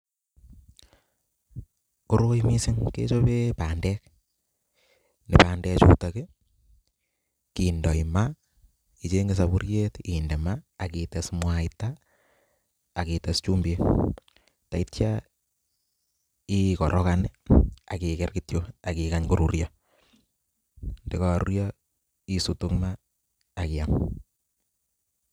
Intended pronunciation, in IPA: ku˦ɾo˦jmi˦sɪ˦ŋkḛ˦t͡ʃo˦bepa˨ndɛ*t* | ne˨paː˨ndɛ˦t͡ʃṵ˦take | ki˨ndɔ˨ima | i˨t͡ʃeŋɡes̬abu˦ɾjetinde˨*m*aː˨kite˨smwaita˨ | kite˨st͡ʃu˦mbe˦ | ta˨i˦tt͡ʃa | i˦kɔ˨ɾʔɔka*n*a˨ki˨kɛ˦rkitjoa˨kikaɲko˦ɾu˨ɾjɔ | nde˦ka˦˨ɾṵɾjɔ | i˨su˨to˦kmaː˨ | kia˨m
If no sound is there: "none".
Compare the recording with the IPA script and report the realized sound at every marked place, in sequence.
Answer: k, m, n

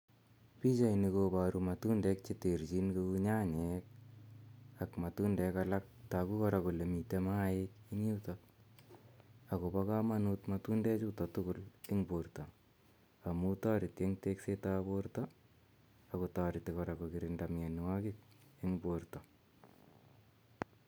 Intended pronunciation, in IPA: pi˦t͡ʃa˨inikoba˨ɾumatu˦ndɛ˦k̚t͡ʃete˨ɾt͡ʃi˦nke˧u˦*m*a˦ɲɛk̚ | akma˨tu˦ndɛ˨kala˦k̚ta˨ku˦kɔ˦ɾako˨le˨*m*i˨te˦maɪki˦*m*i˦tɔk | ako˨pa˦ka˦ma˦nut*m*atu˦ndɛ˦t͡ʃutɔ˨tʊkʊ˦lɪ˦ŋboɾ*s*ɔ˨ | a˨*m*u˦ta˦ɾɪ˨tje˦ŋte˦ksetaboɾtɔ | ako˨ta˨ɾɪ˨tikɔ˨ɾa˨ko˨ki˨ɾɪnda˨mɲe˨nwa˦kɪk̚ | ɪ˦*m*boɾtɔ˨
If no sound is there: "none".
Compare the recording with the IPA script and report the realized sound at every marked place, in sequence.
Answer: ɲ, m, ŋ, m, t, m, ŋ

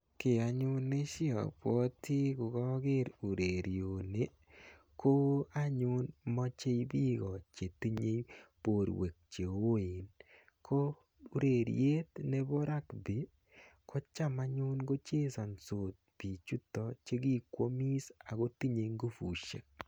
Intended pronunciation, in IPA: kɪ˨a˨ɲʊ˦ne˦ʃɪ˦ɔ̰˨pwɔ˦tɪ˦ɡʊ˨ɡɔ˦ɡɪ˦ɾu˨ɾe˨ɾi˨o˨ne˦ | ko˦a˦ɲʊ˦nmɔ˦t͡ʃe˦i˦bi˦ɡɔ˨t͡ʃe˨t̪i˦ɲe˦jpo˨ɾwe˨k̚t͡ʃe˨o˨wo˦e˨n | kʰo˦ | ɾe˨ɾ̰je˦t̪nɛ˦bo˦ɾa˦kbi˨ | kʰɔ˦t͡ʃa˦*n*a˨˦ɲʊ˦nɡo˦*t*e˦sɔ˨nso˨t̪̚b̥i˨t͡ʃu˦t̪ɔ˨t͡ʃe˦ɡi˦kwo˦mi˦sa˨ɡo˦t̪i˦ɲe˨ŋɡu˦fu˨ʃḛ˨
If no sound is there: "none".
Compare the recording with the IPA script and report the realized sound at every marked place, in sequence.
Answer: m, t͡ʃ

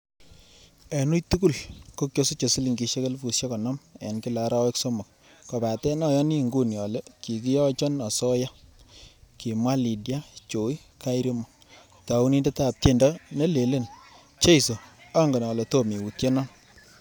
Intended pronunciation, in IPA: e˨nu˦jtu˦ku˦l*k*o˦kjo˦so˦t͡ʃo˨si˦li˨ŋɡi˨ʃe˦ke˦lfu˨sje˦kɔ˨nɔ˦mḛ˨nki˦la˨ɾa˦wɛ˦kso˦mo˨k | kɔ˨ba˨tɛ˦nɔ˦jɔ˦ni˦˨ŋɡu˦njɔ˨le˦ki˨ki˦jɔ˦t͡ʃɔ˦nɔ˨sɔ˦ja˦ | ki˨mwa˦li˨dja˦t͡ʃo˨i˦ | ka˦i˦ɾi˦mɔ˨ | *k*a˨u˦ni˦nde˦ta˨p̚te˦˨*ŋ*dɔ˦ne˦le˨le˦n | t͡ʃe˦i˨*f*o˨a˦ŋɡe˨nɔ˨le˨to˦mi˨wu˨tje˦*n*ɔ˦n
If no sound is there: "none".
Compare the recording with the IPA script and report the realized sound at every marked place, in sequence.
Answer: k, t, n, s, n

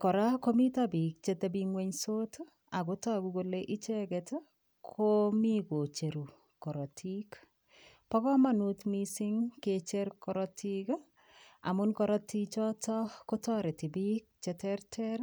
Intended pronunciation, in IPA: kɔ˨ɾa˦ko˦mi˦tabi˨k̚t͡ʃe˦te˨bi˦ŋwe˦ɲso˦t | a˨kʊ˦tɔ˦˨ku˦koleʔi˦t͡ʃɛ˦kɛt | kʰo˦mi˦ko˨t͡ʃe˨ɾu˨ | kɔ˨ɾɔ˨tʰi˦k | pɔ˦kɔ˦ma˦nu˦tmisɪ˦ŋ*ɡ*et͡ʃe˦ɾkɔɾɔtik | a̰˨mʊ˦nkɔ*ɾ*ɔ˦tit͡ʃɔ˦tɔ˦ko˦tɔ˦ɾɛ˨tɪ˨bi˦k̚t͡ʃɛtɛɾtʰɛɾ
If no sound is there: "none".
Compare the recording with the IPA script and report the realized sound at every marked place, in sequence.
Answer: k, ɾ

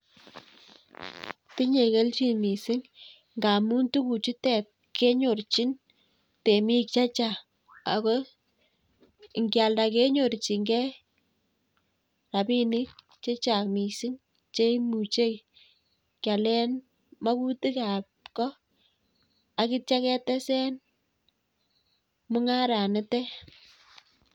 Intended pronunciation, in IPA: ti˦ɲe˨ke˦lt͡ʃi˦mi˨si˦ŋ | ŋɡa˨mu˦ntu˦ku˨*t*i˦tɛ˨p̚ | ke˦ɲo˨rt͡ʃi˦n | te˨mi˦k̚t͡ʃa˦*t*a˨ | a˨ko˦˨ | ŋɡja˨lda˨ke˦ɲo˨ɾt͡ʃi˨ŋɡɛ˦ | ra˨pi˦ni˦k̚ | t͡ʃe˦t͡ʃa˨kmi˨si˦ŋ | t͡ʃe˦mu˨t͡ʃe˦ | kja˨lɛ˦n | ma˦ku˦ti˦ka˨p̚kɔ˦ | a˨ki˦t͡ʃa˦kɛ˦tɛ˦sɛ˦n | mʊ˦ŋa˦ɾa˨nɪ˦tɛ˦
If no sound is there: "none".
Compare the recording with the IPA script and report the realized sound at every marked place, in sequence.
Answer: t͡ʃ, t͡ʃ

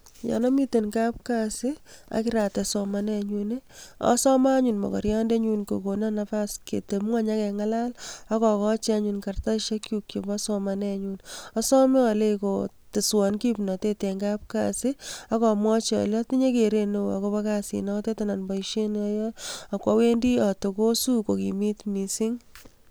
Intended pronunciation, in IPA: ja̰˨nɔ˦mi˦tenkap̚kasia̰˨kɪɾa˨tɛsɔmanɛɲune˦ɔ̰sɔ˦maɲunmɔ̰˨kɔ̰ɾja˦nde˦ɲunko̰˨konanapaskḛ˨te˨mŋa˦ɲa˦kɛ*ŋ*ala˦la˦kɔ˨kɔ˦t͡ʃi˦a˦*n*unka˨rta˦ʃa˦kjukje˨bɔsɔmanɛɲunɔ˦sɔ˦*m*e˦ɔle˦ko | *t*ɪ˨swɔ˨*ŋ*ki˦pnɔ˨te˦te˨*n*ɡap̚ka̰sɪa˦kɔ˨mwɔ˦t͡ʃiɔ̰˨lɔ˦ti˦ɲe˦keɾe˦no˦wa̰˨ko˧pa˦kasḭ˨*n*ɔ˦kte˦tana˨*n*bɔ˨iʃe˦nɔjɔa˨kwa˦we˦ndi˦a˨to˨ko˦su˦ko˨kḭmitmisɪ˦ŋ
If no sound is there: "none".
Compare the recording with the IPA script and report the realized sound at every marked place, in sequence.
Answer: ŋ, ɲ, m, t, n, ŋ, n, n

